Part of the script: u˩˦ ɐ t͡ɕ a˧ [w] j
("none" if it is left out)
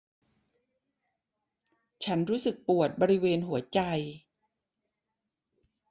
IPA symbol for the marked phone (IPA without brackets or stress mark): none